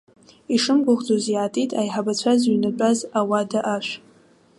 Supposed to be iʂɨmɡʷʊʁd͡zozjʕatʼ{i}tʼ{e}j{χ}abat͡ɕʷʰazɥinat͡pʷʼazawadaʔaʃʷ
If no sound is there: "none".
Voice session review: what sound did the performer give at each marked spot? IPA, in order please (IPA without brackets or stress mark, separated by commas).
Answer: i, a, ħ